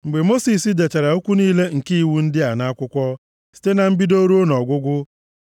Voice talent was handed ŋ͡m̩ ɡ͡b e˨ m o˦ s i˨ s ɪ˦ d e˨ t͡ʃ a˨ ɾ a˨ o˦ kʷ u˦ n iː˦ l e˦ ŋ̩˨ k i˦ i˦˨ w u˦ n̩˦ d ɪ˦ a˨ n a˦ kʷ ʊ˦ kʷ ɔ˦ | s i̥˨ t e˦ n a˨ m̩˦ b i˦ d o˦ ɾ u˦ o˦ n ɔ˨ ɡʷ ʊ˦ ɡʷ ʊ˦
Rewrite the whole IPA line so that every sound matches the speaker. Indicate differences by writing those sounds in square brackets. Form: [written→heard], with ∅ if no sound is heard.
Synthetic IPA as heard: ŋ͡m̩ ɡ͡b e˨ m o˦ s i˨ s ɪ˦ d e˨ t͡ʃ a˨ ɾ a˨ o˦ kʷ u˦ n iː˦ l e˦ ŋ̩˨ k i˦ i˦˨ w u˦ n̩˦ d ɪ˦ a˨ n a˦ kʷ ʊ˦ kʷ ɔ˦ | s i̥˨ t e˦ n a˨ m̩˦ b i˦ d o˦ ɾ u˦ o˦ n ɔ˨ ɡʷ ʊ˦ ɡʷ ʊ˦